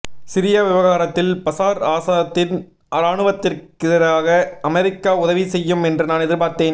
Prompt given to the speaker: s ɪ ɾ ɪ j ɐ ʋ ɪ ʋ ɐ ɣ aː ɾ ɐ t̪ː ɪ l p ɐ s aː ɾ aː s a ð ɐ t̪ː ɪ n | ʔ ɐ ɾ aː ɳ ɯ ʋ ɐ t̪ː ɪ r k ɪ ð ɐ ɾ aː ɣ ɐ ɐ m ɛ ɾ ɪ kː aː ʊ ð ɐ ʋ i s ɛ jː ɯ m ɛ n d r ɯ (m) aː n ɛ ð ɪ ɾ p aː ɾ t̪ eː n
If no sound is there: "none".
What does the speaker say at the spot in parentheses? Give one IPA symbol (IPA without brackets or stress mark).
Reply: n